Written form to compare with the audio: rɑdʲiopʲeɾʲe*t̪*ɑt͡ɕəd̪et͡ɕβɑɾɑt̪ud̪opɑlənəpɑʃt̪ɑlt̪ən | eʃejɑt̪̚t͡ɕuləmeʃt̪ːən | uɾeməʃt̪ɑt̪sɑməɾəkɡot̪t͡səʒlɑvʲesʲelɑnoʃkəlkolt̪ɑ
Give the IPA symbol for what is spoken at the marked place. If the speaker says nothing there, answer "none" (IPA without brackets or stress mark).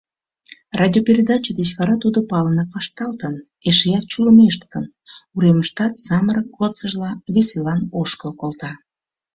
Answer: d̪